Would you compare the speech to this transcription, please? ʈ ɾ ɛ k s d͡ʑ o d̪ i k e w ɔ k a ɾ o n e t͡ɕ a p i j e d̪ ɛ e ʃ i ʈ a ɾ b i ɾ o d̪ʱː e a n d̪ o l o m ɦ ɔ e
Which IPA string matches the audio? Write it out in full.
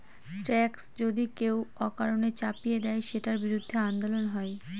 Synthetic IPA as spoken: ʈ ɾ ɛ k s d͡ʑ o d̪ i k e w ɔ k a ɾ o n e t͡ɕ a p i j e d̪ ɛ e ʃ e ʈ a ɾ b i ɾ u d̪ʱː e a n d̪ o l o n ɦ ɔ e